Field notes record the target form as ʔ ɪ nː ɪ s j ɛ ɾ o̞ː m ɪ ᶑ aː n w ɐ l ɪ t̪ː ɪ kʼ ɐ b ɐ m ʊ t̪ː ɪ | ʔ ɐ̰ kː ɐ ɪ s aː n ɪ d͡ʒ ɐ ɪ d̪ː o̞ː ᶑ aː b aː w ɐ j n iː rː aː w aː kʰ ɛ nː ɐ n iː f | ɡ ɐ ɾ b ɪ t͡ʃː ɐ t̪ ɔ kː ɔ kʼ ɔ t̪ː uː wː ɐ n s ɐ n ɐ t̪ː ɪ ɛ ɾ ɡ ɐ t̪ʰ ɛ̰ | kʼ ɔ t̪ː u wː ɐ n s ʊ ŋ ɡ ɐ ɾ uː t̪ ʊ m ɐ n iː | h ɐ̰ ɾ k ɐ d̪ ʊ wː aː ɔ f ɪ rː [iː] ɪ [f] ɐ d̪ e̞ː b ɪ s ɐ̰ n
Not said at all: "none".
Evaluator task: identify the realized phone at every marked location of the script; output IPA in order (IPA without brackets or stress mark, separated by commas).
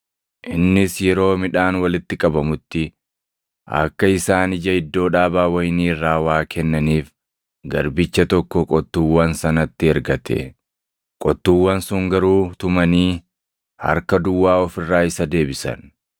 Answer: aː, s